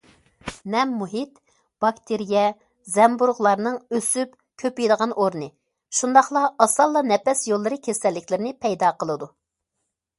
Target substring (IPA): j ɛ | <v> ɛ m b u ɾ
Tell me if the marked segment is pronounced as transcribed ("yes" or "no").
no